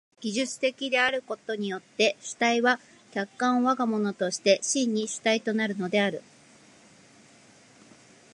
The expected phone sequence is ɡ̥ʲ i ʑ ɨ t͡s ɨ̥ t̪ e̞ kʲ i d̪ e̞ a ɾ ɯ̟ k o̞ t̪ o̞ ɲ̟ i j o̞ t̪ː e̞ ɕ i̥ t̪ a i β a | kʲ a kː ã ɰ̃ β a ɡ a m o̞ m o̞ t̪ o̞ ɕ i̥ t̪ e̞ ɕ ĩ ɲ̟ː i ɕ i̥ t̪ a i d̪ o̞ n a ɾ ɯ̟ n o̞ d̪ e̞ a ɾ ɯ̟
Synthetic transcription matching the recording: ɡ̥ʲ i ʑ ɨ t͡s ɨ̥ t̪ e̞ kʲ i d̪ e̞ a ɾ ɯ̟ k o̞ t̪ o̞ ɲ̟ i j o̞ t̪ː e̞ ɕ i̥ t̪ a i β a | kʲ a kː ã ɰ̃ β a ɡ a m o̞ n o̞ t̪ o̞ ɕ i̥ t̪ e̞ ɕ ĩ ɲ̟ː i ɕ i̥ t̪ a i t̪ o̞ n a ɾ ɯ̟ n o̞ d̪ e̞ a ɾ ɯ̟